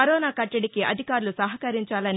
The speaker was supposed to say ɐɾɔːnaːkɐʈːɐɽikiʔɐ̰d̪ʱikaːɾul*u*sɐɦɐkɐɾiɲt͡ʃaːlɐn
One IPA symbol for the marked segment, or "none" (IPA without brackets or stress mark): u